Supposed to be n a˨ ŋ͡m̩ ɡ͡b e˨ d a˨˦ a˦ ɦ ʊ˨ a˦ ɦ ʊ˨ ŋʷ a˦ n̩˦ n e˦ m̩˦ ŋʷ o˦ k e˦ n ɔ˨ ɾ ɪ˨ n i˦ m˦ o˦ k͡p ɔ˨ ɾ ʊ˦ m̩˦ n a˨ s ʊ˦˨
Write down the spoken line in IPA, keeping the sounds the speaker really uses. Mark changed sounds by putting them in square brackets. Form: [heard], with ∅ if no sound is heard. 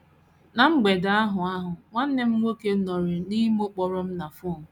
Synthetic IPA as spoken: n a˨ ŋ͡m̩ ɡ͡b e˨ d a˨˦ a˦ ɦ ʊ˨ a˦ ɦ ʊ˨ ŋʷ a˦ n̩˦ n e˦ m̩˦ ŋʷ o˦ k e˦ n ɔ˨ ɾ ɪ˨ n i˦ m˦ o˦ k͡p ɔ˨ ɾ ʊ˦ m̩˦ n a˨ [f] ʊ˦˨